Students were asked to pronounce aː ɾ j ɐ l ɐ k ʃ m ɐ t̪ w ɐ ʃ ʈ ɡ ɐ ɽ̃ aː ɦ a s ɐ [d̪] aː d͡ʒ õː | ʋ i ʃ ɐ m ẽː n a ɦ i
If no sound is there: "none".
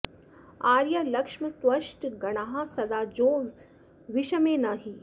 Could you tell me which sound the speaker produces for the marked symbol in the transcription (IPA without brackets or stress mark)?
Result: d̪